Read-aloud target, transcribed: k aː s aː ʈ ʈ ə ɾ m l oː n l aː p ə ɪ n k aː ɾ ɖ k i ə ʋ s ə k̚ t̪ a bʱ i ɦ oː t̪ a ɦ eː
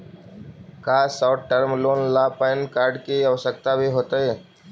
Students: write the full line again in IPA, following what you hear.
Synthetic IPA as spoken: k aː s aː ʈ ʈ ə ɾ m l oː n l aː p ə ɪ n k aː ɾ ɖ k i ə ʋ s ə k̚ t̪ a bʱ i ɦ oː t̪ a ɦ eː